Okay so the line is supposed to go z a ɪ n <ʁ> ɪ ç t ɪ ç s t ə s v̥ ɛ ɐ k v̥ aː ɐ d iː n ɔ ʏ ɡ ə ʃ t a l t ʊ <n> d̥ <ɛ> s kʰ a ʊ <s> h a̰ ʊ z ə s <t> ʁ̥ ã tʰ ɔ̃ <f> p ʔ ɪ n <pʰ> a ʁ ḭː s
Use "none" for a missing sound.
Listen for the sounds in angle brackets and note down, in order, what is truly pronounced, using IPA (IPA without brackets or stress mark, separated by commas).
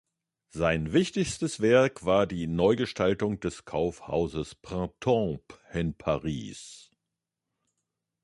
v, ŋ, ɛ, f, p, none, pʰ